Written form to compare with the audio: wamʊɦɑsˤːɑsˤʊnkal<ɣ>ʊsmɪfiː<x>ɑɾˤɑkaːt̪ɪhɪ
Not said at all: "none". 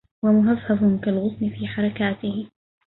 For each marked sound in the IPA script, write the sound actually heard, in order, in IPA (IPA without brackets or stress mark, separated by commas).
ɣ, ħ